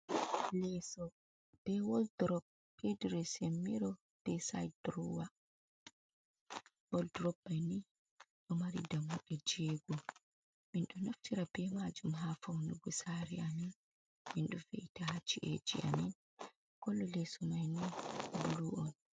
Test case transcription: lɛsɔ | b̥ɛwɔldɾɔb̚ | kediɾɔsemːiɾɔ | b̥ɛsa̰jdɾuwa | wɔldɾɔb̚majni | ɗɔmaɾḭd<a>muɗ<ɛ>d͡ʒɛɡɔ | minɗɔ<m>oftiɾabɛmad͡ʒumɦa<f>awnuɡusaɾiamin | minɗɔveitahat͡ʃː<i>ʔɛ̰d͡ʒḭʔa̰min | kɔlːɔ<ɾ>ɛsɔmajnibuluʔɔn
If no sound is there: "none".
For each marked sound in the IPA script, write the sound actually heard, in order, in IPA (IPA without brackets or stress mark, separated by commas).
a, ɛ, n, f, i, l